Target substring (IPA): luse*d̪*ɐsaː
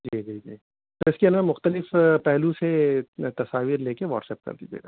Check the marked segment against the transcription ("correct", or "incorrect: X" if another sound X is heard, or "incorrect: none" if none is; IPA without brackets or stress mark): incorrect: t̪